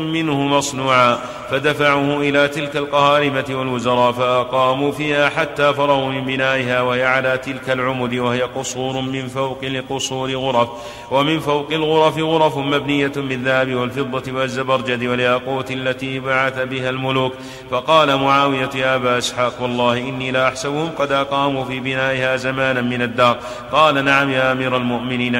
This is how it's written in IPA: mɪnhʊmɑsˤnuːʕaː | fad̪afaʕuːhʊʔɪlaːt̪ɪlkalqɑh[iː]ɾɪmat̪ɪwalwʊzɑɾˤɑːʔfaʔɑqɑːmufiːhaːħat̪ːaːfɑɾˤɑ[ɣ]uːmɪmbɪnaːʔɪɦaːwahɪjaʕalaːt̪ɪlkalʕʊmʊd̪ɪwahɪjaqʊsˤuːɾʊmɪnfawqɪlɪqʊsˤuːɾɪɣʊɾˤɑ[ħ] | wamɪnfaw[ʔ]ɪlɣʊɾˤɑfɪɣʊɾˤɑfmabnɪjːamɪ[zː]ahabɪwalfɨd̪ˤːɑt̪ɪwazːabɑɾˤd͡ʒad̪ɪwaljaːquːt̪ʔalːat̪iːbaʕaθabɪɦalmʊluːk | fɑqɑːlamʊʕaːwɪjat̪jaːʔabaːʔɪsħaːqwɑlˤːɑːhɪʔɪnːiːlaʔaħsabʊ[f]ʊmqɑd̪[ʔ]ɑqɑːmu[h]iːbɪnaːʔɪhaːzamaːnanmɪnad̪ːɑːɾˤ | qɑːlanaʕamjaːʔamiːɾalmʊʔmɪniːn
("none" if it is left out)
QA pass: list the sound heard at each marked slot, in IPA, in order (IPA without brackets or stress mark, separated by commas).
aː, ɣ, f, q, ðː, h, ʔ, f